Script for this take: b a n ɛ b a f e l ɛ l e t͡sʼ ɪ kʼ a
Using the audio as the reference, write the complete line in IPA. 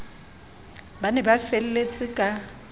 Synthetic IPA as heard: b a n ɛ b a f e l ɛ l e t͡sʼ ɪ kʼ a